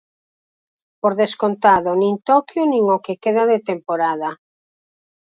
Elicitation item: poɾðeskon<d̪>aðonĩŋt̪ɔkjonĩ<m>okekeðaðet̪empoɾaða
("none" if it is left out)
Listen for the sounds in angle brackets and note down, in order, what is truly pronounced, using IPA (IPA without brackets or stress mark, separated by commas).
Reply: t̪, ŋ